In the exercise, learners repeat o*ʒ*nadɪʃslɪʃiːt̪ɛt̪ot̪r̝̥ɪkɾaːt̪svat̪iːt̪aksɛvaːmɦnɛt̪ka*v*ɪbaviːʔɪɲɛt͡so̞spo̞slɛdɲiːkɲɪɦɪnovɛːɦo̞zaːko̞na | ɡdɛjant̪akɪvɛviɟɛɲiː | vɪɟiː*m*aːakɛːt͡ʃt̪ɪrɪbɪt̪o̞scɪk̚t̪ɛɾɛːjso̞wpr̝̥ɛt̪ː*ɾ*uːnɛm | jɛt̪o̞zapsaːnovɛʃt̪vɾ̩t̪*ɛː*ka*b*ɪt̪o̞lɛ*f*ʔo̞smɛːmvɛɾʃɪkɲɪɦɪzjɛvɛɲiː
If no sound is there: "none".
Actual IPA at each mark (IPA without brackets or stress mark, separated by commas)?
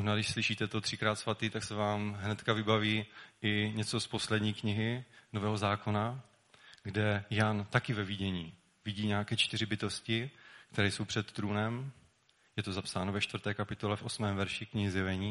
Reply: ʒ, v, ɲ, ɾ, ɛː, p, f